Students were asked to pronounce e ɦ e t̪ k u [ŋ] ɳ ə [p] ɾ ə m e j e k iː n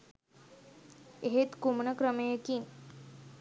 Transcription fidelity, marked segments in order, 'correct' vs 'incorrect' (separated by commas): incorrect, incorrect